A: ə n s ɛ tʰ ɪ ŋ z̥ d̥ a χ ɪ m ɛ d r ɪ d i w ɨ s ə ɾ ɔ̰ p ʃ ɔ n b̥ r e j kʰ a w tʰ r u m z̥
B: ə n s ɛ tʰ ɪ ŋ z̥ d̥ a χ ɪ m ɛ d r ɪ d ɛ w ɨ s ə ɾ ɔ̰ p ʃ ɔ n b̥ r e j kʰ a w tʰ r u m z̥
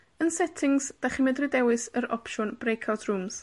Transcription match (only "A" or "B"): B